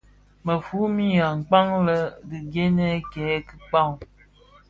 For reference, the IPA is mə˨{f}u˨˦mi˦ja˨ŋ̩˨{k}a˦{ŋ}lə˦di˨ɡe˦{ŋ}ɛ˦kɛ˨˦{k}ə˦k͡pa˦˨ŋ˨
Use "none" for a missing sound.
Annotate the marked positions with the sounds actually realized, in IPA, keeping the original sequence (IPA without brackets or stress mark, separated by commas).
f, k͡p, ŋ, n, k